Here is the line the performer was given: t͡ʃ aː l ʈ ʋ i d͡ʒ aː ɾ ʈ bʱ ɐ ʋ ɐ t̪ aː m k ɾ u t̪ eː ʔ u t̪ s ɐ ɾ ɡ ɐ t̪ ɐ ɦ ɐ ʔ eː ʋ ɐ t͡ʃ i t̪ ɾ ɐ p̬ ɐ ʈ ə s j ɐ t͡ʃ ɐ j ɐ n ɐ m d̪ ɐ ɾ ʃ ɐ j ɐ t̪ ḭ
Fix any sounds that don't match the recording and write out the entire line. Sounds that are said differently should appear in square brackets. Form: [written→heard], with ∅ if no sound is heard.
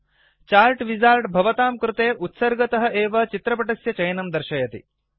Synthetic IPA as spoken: t͡ʃ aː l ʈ ʋ i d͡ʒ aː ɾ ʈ bʱ ɐ ʋ ɐ t̪ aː m k ɾ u t̪ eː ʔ u t̪ s ɐ ɾ ɡ ɐ t̪ ɐ ɦ ɐ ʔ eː ʋ ɐ t͡ʃ i t̪ ɾ ɐ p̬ ɐ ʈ [ə→ɐ] s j ɐ t͡ʃ ɐ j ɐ n ɐ m d̪ ɐ ɾ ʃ ɐ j ɐ t̪ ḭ

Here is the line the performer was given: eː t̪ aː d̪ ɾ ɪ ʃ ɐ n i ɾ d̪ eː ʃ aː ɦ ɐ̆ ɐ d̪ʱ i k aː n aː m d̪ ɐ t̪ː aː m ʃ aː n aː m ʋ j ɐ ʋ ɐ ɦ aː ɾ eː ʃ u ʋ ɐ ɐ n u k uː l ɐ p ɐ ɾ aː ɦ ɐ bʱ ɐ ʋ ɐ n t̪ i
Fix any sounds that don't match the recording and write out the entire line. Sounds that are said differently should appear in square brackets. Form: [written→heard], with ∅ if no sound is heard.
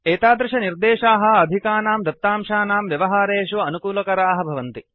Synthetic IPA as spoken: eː t̪ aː d̪ ɾ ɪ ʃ ɐ n i ɾ d̪ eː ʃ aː ɦ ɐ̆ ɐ d̪ʱ i k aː n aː m d̪ ɐ t̪ː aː m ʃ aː n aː m ʋ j ɐ ʋ ɐ ɦ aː ɾ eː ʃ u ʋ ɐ ɐ n u k uː l ɐ [p→k] ɐ ɾ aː ɦ ɐ bʱ ɐ ʋ ɐ n t̪ i

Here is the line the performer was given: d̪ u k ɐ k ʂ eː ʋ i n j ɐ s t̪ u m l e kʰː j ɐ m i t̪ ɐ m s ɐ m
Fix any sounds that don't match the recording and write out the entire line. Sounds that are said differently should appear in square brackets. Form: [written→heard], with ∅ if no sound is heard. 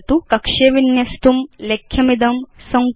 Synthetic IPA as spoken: [d̪→t̪] u k ɐ k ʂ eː ʋ i n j ɐ s t̪ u m l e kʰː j ɐ m i [t̪→d̪] ɐ m s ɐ [m→ŋ]

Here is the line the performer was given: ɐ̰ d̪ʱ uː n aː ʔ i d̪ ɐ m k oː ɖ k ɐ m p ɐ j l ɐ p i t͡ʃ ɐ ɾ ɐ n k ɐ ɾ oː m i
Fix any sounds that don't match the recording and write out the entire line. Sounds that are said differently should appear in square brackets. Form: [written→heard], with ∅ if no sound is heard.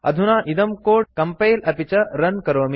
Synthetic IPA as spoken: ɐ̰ d̪ʱ [uː→u] n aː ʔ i d̪ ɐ m k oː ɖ k ɐ m p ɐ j l ɐ p i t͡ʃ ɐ ɾ ɐ n k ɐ ɾ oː m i

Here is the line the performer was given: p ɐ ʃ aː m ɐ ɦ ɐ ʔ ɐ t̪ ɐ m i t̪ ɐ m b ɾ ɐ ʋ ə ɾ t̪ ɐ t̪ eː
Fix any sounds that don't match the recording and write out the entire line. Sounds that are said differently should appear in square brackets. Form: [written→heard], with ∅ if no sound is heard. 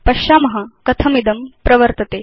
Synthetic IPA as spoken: p ɐ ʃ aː m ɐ ɦ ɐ [ʔ→k] ɐ [t̪→t̪ʰ] ɐ m i [t̪→d̪] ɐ m [b→p] ɾ ɐ ʋ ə ɾ t̪ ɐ t̪ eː

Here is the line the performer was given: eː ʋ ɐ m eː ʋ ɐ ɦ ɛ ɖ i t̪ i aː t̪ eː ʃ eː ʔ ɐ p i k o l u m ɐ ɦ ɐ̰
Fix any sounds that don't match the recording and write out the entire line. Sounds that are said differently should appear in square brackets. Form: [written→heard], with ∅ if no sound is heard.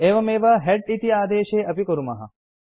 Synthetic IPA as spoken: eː ʋ ɐ m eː ʋ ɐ ɦ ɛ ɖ i t̪ i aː [t̪→d̪] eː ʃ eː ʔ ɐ p i k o [l→ɾ] u m ɐ ɦ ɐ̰

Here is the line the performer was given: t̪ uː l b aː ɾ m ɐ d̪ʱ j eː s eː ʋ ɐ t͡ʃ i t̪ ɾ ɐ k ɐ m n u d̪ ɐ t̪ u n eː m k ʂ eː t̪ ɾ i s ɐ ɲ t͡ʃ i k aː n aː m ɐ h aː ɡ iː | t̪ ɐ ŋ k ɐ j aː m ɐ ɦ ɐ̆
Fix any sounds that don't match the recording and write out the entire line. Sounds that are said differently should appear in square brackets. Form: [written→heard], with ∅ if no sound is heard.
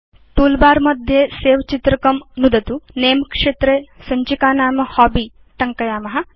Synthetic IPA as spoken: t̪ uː l b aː ɾ m ɐ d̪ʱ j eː s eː ʋ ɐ t͡ʃ i t̪ ɾ ɐ k ɐ m n u d̪ ɐ t̪ u n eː m k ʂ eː t̪ ɾ [i→e] s ɐ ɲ t͡ʃ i k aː n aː m ɐ h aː [ɡ→b] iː | t̪ ɐ ŋ k ɐ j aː m ɐ ɦ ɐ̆

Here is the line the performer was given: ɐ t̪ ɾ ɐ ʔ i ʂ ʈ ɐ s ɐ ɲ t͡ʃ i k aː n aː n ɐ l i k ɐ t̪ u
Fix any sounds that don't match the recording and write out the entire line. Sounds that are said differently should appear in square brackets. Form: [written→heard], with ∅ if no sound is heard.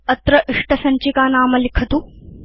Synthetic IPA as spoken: ɐ t̪ ɾ ɐ ʔ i ʂ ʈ ɐ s ɐ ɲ t͡ʃ i k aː n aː [n→m] ɐ l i [k→kʰ] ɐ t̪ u

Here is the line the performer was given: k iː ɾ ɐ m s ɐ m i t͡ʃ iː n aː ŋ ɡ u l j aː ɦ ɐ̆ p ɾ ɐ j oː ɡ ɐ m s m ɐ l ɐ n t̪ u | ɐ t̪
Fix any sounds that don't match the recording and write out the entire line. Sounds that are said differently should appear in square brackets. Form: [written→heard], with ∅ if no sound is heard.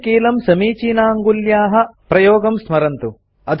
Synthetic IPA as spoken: k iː [ɾ→l] ɐ m s ɐ m [i→iː] t͡ʃ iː n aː ŋ ɡ u l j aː ɦ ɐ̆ p ɾ ɐ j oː ɡ ɐ m s m ɐ [l→ɾ] ɐ n t̪ u | ɐ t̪

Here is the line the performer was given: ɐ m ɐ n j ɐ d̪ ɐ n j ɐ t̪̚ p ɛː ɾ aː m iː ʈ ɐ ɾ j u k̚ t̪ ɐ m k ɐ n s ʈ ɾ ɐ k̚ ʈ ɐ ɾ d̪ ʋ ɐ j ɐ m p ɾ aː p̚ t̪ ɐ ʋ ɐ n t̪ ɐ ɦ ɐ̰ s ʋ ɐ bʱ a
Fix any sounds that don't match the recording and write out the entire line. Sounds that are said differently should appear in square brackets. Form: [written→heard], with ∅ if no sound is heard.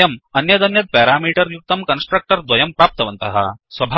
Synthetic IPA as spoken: ɐ m ɐ n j ɐ d̪ ɐ n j ɐ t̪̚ p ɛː ɾ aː m iː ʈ ɐ ɾ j u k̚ t̪ ɐ m k ɐ n s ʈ ɾ ɐ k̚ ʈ ɐ ɾ d̪ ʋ ɐ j ɐ m p ɾ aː p̚ t̪ ɐ ʋ ɐ n t̪ ɐ ɦ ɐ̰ s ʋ ɐ bʱ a

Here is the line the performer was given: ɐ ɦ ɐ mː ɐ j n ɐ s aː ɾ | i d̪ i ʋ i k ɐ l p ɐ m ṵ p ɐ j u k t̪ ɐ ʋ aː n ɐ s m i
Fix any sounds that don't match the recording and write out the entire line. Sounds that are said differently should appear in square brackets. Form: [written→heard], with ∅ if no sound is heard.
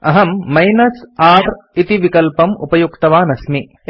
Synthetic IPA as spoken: ɐ ɦ ɐ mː ɐ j n ɐ s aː ɾ | i [d̪→t̪] i ʋ i k ɐ l p ɐ m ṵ p ɐ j u k t̪ ɐ ʋ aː n ɐ s m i

